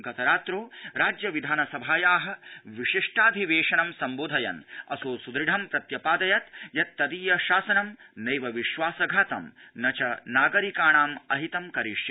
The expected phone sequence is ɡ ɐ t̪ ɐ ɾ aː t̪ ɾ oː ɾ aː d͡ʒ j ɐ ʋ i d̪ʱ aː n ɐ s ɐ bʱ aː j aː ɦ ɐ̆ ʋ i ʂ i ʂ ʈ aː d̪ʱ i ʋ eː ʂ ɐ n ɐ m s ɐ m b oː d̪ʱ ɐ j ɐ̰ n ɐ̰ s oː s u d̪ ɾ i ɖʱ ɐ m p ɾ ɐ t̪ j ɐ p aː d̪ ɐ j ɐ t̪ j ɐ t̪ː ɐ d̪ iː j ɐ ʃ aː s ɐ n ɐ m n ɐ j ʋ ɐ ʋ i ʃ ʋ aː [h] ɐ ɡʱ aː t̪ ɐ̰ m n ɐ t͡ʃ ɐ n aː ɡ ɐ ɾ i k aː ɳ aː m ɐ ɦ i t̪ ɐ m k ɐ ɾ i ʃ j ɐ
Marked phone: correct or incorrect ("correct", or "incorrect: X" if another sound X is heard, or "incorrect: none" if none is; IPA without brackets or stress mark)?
incorrect: s